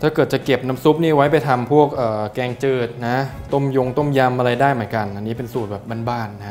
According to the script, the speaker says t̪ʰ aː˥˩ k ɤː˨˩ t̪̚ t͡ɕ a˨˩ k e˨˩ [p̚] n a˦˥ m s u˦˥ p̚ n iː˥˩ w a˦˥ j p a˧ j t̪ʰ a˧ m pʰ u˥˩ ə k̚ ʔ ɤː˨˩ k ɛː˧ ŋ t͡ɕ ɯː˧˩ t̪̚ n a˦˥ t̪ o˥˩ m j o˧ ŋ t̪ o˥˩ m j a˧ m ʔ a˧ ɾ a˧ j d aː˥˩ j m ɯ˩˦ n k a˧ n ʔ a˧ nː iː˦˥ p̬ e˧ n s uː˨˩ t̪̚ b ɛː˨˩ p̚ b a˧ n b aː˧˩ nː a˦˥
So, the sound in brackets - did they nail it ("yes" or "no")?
yes